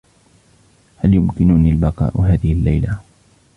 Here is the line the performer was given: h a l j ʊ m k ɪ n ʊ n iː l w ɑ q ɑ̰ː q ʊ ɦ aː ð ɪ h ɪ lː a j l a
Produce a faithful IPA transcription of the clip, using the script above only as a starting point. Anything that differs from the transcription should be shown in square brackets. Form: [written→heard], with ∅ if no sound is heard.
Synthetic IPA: h a l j ʊ m k ɪ n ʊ n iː l [w→b] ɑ q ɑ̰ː [q→ʔ] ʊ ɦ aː ð ɪ h ɪ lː a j l a